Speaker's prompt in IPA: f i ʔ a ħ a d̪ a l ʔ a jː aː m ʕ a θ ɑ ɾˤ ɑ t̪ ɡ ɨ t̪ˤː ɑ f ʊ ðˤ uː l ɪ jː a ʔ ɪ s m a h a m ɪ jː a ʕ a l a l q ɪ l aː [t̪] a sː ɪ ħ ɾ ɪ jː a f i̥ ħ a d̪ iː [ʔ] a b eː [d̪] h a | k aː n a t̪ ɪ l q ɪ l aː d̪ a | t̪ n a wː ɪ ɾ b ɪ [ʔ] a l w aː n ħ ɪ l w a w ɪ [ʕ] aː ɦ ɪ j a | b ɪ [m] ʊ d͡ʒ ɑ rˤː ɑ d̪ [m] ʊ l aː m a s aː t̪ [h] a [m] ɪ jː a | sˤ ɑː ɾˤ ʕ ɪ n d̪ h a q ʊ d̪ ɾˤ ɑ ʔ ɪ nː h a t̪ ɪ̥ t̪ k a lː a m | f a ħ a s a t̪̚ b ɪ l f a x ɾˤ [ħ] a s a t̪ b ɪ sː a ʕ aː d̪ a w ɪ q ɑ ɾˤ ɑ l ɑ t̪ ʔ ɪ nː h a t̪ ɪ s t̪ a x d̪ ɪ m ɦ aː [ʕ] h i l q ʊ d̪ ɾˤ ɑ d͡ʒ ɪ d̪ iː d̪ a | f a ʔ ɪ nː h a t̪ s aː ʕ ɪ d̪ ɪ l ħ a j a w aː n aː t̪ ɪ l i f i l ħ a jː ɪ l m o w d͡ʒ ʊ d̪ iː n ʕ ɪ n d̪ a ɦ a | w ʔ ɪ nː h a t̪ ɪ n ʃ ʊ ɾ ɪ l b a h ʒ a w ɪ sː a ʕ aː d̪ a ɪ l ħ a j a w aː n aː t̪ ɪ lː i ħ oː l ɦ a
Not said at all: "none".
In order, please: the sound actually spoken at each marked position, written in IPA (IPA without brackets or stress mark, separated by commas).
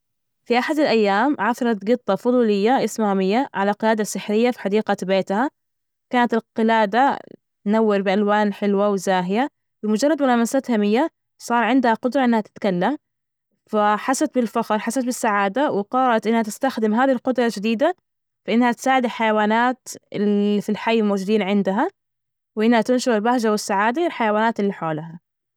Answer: d̪, q, t̪, ʔ, z, m, m, h, m, ħ, ð